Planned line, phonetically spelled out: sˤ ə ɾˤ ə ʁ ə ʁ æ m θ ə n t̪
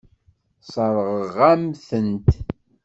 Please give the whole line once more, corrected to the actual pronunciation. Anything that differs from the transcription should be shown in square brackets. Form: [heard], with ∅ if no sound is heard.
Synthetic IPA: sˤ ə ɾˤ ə ʁ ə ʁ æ m θ ə n t̪